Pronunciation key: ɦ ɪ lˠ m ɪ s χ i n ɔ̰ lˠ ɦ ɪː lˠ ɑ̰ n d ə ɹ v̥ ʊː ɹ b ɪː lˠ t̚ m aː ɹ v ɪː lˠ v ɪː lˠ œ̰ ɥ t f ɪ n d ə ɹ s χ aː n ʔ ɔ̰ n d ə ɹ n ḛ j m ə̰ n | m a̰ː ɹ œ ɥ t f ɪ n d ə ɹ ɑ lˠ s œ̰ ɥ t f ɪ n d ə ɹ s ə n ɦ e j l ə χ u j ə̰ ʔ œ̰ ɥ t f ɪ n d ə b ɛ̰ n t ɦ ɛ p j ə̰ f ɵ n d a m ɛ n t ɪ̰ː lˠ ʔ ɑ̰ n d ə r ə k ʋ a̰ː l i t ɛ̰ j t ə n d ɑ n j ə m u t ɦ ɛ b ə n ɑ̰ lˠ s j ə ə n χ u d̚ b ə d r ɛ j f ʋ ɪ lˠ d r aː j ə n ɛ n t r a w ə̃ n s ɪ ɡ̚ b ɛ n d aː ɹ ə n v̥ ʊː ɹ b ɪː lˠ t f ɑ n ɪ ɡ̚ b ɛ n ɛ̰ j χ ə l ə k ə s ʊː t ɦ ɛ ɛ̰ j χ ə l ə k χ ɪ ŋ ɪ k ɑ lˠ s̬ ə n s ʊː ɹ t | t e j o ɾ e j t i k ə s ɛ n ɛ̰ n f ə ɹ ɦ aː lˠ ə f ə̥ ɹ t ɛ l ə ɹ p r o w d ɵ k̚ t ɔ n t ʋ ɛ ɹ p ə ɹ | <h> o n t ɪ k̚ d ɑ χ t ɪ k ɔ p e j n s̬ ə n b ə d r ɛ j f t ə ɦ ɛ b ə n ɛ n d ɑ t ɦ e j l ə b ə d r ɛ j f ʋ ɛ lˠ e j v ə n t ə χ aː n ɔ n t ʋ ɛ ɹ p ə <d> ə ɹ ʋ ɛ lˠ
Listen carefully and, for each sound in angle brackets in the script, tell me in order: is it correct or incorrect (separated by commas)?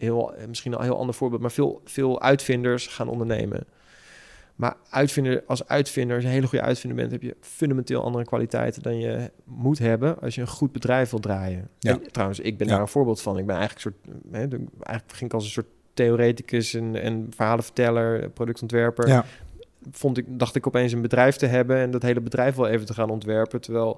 incorrect, incorrect